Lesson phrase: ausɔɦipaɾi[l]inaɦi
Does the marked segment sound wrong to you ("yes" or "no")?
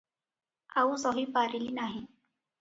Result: no